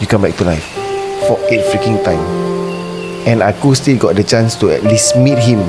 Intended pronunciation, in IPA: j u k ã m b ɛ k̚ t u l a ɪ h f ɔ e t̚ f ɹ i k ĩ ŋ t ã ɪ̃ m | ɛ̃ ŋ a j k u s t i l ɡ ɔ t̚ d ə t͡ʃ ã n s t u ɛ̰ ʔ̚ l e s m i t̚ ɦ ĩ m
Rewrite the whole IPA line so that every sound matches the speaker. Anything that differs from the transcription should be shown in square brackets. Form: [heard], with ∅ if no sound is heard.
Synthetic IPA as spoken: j u k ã m b ɛ k̚ t u l a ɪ [f] f ɔ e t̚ f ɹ i k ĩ ŋ t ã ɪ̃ m | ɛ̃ [n] a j k u s t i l ɡ ɔ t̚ d ə t͡ʃ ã n s t u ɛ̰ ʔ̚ l [i] s m i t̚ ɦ ĩ m